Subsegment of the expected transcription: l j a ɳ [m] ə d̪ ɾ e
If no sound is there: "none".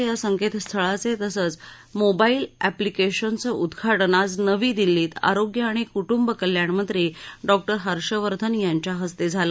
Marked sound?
m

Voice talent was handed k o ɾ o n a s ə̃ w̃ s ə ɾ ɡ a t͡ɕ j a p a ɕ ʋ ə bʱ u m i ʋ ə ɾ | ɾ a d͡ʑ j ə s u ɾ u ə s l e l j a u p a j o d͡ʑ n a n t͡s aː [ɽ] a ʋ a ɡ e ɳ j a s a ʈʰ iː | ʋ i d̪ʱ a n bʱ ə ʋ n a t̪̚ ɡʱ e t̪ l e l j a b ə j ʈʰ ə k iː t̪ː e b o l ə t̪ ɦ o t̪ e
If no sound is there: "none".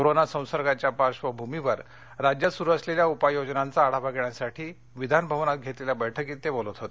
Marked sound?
ɽ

